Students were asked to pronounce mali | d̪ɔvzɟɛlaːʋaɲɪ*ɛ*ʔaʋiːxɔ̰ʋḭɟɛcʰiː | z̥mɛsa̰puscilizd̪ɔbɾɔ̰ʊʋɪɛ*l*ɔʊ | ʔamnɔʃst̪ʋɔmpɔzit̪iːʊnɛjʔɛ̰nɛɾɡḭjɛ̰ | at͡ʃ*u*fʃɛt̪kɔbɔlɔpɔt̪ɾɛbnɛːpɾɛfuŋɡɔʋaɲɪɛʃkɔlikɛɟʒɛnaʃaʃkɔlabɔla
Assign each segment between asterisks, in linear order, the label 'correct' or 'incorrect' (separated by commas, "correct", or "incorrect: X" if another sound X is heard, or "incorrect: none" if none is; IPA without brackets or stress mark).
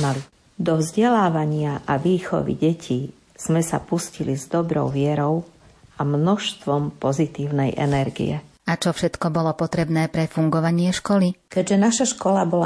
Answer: incorrect: a, incorrect: ɾ, incorrect: ɔ